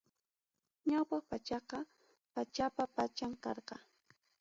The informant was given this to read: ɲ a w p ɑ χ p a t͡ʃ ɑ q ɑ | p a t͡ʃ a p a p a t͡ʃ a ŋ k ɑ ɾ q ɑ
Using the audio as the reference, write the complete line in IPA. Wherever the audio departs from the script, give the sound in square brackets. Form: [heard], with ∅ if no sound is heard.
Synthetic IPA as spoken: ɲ a w p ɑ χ p a t͡ʃ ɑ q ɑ | p a t͡ʃ a p a p a t͡ʃ a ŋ k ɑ ɾ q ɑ